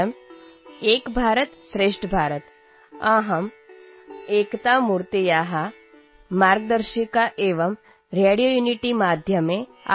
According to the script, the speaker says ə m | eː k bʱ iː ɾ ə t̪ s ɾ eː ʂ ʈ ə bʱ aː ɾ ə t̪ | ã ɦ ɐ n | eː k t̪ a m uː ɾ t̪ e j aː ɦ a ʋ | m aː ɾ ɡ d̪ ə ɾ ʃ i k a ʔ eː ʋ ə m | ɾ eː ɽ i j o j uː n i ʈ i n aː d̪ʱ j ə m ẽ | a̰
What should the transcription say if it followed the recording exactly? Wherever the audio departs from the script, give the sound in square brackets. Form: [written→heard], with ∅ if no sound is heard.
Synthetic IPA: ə m | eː k bʱ [iː→aː] ɾ ə t̪ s ɾ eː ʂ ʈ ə bʱ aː ɾ ə t̪ | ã ɦ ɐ [n→m] | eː k t̪ a m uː ɾ t̪ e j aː ɦ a [ʋ→∅] | m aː ɾ ɡ d̪ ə ɾ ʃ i k a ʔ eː ʋ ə m | ɾ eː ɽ i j o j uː n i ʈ i [n→m] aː d̪ʱ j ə m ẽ | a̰